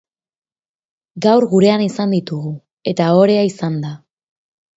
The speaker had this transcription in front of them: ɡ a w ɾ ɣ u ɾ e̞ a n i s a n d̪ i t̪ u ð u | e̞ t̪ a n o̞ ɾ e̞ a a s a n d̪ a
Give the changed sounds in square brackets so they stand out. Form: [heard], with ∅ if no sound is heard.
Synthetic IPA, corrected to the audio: ɡ a w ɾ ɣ u ɾ e̞ a n i s a n d̪ i t̪ u [ɣ] u | e̞ t̪ a [∅] o̞ ɾ e̞ a [i] s a n d̪ a